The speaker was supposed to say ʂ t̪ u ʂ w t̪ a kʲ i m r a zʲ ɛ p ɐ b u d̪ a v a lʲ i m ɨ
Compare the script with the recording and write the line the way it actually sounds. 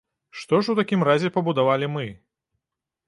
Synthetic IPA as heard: ʂ t̪ ɔ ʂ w t̪ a kʲ i m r a zʲ ɛ p ɐ b u d̪ a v a lʲ i m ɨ